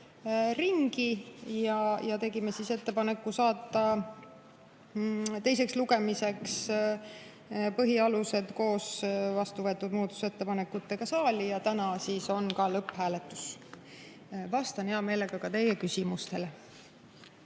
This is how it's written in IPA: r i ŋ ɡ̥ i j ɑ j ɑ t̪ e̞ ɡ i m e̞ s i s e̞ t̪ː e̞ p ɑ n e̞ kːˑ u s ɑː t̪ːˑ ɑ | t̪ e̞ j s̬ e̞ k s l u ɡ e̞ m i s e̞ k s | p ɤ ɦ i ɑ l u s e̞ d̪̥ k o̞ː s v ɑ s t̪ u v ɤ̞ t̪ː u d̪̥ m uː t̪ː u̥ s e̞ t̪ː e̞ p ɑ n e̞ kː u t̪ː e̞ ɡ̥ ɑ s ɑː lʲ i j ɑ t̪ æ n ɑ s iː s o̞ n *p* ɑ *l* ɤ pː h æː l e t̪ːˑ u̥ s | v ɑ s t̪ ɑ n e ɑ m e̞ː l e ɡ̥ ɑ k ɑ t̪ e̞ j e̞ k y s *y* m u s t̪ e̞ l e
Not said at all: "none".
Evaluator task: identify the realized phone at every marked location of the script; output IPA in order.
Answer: k, l, i

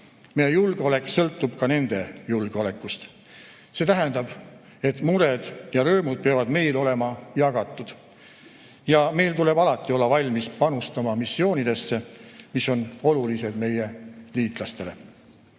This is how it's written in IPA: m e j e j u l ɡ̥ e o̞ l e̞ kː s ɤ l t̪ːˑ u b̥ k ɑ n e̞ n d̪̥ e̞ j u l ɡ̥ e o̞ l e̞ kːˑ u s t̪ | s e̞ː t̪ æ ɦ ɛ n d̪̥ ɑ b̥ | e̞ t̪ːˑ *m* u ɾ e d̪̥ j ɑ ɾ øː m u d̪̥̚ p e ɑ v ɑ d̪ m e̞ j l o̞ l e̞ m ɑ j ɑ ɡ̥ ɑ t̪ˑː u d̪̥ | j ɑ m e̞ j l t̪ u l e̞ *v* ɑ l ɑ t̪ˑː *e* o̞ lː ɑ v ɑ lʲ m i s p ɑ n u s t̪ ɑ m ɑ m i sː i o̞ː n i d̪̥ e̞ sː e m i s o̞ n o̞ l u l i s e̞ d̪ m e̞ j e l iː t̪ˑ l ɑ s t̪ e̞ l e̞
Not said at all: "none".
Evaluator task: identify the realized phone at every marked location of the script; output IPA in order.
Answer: m, b, i

